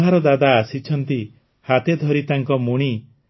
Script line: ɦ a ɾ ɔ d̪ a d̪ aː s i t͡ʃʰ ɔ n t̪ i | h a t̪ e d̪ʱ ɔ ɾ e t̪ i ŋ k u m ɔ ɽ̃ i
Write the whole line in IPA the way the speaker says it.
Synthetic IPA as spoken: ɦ a ɾ ɔ d̪ a d̪ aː s i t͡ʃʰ ɔ n t̪ i | h a t̪ e d̪ʱ ɔ ɾ i t̪ a ŋ k ɔ m u ɽ̃ i